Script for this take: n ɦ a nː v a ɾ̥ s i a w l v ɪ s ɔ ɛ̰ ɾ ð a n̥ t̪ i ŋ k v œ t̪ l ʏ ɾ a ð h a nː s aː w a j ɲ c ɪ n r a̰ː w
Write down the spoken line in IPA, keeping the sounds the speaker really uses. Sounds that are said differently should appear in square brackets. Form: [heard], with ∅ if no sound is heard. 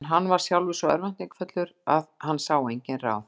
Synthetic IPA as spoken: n ɦ a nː v a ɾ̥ s [j] a w l v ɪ s ɔ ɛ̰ ɾ [v] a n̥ t̪ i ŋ k [f] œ t̪ l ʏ ɾ a ð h a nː s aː w [e] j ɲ c ɪ n r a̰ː w